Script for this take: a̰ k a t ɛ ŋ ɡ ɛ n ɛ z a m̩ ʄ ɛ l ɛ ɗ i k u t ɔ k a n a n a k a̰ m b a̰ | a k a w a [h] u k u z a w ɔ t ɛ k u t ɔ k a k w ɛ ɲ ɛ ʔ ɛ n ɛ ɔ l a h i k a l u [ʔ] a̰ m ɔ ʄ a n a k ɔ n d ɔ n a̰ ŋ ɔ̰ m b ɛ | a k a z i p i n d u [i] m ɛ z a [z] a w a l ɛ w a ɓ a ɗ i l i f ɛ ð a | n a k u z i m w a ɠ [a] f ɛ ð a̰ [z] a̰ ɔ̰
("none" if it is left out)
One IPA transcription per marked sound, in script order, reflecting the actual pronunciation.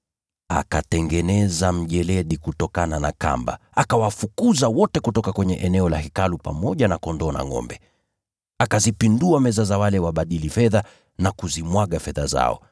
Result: f, p, a, z, a, z

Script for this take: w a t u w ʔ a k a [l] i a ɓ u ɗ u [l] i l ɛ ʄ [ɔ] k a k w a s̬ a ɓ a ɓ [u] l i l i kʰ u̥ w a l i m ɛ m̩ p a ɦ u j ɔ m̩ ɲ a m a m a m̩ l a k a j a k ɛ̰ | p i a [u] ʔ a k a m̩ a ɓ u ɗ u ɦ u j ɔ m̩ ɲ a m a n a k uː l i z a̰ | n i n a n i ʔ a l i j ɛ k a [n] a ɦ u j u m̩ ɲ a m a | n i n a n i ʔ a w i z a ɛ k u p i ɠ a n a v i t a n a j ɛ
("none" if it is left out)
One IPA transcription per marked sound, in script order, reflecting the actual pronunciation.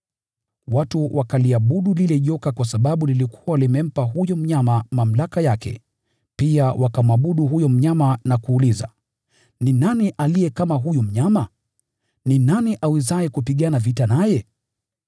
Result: l, l, ɔ, u, w, m

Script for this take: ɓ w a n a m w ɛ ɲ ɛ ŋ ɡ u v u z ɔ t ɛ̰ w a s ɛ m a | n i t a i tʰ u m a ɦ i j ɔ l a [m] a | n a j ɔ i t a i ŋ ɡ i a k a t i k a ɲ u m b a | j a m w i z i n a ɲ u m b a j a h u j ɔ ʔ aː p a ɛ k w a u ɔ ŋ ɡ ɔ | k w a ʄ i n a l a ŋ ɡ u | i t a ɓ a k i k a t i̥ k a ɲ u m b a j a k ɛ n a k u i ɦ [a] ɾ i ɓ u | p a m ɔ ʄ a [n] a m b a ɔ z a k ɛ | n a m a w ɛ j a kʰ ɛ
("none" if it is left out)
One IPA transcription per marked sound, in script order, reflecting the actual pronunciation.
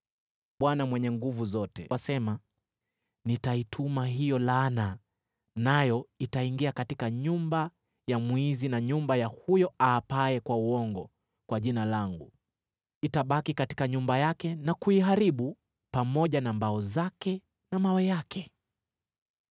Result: n, a, n

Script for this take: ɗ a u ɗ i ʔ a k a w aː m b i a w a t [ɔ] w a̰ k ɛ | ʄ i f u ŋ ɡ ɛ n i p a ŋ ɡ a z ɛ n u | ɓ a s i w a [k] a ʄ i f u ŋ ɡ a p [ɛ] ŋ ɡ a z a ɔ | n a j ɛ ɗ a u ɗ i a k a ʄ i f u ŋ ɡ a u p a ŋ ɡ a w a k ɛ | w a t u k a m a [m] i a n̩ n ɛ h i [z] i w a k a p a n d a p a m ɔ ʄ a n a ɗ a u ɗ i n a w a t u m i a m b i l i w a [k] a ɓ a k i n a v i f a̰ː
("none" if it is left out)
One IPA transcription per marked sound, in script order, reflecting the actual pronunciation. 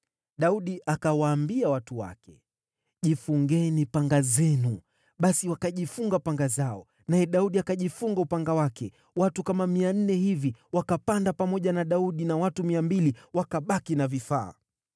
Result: u, k, a, m, v, k

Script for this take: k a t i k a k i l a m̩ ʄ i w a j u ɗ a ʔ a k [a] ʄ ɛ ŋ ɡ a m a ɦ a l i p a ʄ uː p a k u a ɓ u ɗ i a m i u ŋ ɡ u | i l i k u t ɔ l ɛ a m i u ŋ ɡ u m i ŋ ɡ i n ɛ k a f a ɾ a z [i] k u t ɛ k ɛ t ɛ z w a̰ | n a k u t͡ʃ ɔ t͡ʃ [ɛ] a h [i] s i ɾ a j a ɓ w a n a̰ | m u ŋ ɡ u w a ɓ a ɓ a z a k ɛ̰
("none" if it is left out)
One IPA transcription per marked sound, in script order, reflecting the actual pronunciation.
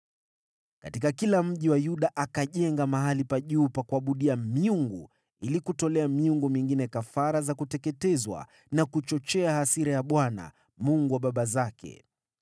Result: a, a, ɛ, a

